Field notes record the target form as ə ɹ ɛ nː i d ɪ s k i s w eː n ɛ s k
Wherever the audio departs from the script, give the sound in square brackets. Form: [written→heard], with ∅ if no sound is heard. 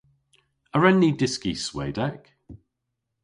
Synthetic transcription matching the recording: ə ɹ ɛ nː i d ɪ s k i s w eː [n→d] ɛ [s→∅] k

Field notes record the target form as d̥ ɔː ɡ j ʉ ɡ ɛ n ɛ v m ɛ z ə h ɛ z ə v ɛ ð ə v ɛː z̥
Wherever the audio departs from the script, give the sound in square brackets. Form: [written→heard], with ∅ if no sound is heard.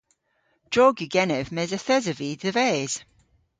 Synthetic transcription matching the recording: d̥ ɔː ɡ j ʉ ɡ ɛ n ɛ v m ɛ z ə [h→θ] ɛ z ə v [ɛ→i] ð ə v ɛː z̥

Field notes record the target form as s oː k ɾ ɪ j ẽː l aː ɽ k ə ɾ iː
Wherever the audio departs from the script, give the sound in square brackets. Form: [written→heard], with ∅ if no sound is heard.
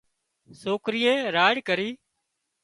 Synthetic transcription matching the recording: s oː k ɾ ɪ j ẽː [l→ɾ] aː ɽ k ə ɾ iː

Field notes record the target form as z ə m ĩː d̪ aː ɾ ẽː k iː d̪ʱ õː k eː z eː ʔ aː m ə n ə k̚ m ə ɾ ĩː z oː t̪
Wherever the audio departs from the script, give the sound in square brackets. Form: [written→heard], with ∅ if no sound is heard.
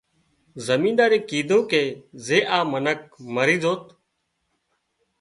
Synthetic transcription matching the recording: z ə m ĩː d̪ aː ɾ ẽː k iː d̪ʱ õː k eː z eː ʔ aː m ə n ə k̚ m ə ɾ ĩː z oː t̪

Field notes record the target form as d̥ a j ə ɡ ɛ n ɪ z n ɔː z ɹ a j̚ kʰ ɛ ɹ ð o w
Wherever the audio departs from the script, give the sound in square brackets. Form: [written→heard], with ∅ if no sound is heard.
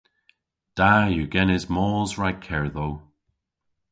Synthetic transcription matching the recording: d̥ a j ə ɡ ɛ n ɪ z [n→m] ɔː z ɹ a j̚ kʰ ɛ ɹ ð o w

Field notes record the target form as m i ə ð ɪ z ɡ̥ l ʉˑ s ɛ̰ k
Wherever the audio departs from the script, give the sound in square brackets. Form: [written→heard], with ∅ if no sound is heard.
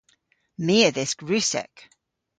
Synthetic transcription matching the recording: m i ə ð ɪ [z→s] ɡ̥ [l→ɹ] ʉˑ s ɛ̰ k

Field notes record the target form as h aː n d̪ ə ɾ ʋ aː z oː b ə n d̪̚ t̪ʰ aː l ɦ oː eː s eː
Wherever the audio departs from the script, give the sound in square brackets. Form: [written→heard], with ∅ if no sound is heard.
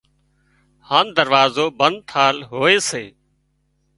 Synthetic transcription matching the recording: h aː n d̪ ə ɾ ʋ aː z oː b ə n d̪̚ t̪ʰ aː l ɦ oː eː s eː

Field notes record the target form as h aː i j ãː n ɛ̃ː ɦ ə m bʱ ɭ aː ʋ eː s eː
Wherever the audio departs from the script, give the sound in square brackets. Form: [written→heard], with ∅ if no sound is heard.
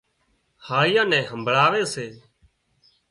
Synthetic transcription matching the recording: h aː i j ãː n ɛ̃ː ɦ ə m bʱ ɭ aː ʋ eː s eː

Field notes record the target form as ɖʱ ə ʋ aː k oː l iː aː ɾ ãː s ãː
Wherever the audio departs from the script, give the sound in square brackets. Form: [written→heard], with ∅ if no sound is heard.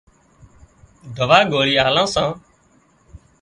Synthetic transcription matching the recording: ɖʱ ə ʋ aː [k→ɡ] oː [l→ɾ] iː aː [ɾ→l] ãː s ãː

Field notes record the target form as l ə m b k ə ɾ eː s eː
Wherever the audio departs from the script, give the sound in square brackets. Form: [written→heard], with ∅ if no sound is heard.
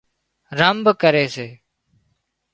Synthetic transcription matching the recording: [l→ɾ] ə m b k ə ɾ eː s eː

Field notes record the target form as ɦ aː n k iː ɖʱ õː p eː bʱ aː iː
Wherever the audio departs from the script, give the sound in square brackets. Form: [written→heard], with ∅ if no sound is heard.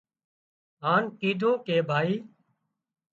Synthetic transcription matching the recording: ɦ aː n k iː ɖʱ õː [p→k] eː bʱ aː iː

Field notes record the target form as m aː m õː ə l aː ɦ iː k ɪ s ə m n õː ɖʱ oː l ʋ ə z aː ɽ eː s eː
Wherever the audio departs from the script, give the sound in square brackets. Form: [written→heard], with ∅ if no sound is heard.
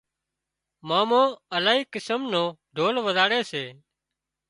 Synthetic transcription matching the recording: m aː m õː ə l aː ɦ iː k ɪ s ə m n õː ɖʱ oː l ʋ ə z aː ɽ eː s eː

